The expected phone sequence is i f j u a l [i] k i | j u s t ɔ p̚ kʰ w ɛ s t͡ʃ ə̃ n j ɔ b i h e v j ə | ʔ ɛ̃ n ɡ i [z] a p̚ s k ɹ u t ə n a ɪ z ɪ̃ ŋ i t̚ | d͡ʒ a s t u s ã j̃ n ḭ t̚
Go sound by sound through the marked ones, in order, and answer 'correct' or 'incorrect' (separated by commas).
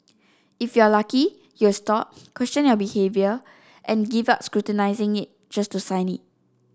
incorrect, incorrect